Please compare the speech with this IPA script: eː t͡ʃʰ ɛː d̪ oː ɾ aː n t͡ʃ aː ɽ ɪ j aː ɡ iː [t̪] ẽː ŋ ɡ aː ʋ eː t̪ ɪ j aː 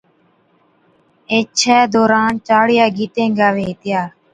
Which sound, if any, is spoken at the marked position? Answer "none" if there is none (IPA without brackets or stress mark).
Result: t̪